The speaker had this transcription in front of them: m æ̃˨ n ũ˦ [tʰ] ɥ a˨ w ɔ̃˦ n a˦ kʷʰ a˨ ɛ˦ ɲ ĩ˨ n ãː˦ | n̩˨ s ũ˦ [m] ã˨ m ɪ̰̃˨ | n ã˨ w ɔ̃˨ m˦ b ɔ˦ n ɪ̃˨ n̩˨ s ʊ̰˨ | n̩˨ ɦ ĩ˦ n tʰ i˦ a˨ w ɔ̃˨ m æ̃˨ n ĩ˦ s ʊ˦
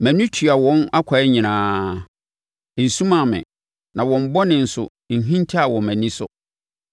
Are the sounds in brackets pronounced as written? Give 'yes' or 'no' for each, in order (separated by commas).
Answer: yes, yes